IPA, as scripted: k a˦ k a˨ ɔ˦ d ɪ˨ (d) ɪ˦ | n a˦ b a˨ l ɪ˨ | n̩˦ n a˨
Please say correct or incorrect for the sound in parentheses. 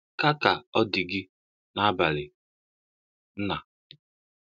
incorrect